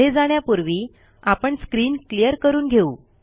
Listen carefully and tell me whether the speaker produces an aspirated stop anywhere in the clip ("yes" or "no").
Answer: no